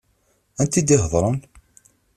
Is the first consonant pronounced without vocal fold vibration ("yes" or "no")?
no